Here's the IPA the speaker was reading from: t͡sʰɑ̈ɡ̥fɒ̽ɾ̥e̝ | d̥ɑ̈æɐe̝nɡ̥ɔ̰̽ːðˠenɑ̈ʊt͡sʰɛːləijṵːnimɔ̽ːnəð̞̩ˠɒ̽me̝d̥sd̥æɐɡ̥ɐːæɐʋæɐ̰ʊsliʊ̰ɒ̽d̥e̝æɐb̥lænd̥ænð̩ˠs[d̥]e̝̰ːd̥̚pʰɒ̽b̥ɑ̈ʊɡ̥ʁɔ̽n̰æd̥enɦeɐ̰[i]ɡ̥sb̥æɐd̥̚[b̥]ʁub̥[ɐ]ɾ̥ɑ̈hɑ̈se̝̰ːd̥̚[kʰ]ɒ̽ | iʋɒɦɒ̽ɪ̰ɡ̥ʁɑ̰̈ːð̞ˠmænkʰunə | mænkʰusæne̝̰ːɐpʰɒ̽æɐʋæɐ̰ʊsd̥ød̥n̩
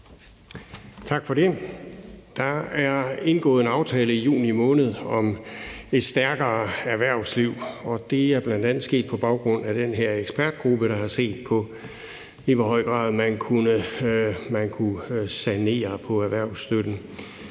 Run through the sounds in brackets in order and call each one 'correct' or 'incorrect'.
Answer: incorrect, incorrect, incorrect, incorrect, incorrect

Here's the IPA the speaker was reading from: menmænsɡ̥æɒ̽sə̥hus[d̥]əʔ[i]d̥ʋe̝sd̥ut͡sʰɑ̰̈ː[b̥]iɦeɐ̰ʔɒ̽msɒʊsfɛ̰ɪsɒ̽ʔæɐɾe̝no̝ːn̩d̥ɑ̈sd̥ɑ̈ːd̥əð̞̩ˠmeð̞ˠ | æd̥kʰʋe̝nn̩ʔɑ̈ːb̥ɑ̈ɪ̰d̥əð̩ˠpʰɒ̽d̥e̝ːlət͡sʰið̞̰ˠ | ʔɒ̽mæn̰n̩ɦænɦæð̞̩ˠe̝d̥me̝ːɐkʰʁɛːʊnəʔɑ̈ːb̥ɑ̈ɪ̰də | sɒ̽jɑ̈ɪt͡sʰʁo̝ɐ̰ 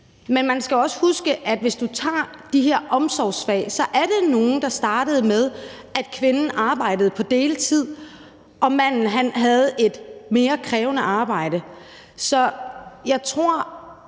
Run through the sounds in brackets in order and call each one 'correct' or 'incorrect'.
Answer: incorrect, incorrect, incorrect

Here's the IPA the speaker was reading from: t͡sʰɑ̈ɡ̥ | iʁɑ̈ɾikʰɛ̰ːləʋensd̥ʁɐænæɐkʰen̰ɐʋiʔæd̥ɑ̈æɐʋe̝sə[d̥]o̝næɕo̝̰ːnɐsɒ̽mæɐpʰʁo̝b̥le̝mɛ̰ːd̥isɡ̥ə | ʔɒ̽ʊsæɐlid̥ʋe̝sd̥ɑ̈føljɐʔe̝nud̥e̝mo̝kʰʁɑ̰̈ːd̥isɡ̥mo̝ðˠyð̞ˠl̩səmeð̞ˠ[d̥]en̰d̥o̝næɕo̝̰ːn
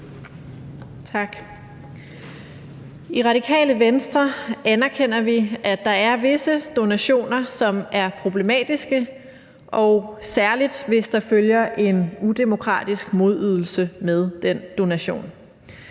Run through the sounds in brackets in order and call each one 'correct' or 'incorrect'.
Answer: correct, correct

